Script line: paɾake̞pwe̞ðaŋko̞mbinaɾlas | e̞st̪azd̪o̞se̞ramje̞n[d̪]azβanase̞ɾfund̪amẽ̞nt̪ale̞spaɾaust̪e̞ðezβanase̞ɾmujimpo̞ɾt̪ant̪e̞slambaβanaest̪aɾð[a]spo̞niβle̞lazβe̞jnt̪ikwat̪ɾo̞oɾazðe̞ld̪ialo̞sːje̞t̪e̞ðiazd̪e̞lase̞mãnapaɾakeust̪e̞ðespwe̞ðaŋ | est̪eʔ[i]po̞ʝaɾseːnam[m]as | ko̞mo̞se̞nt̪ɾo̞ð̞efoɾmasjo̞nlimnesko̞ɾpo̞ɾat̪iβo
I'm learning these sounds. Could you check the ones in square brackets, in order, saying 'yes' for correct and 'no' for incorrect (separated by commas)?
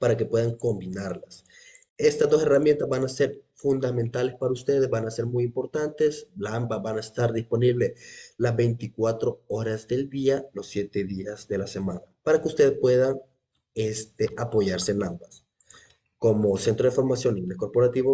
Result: no, no, no, no